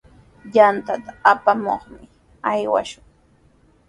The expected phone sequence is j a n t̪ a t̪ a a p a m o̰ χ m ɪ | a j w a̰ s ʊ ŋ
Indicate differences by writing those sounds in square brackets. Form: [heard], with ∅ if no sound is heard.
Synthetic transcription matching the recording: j a n t̪ a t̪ a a p a m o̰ χ m ɪ | a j w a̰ [ʃ] ʊ ŋ